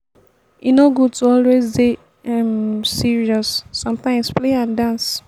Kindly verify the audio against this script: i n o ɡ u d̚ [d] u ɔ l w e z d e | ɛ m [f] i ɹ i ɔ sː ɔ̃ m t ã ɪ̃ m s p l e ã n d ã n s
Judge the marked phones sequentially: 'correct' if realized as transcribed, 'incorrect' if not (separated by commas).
incorrect, incorrect